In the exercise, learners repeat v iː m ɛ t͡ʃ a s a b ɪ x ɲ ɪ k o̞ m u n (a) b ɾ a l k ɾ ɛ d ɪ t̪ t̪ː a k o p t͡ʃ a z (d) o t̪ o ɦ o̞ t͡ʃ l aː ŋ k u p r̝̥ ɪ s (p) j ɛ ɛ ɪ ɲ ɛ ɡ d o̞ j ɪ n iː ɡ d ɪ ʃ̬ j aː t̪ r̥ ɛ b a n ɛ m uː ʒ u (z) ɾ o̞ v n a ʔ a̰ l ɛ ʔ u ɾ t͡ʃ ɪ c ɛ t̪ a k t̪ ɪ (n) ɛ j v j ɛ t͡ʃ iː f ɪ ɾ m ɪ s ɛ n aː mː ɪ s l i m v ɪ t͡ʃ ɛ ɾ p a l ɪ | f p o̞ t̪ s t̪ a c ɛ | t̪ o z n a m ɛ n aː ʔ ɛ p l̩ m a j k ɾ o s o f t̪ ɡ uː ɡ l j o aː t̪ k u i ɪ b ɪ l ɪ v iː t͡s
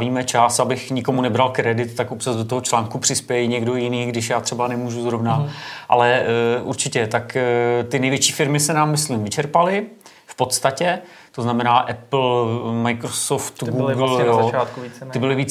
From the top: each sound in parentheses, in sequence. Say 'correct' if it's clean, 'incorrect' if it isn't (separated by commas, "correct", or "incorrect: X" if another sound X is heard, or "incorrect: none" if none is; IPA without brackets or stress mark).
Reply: incorrect: ɛ, correct, correct, correct, correct